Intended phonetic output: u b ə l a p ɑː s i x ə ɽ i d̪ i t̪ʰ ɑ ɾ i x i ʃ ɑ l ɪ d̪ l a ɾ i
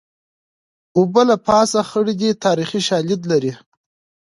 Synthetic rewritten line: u b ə l a p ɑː s a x ə ɽ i d̪ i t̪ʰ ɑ ɾ i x i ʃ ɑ l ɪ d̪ l a ɾ i